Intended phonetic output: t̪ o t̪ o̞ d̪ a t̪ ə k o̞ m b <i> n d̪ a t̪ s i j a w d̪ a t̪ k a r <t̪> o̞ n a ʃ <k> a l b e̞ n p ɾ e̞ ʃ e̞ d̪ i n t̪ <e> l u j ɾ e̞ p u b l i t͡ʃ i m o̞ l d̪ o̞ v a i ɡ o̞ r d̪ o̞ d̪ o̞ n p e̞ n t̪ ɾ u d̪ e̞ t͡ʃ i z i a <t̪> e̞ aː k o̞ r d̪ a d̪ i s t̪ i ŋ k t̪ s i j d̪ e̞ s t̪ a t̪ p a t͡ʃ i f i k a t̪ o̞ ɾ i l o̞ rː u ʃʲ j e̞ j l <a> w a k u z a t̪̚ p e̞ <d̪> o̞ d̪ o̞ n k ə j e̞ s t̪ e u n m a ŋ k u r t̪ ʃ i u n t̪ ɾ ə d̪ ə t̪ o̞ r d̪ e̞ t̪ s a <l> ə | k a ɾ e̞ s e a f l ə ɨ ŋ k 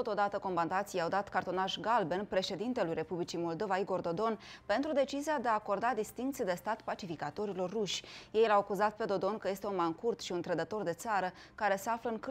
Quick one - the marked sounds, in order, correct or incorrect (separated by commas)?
incorrect, correct, incorrect, correct, incorrect, correct, correct, incorrect